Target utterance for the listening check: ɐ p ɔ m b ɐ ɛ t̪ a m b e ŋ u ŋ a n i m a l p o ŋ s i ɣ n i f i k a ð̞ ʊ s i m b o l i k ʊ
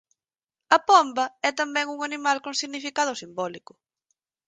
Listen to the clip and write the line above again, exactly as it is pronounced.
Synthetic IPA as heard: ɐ p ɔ m b ɐ ɛ t̪ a m b ɛ ŋ u ŋ a n i m a l k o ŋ s i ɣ n i f i k a ð̞ ʊ s i m b ɔ l i k ʊ